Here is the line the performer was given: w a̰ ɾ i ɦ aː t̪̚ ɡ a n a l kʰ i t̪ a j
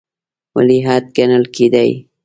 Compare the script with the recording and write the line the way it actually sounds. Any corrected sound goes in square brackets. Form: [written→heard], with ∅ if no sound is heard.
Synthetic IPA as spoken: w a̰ [ɾ→l] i ɦ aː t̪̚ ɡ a n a l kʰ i [t̪→d̪] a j